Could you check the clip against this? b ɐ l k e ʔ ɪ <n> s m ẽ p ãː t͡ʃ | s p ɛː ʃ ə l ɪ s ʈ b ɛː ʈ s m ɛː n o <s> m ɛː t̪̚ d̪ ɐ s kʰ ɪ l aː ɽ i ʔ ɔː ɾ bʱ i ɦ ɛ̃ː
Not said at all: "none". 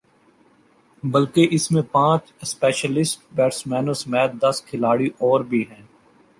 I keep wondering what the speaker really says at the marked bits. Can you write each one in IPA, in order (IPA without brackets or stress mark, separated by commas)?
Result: none, s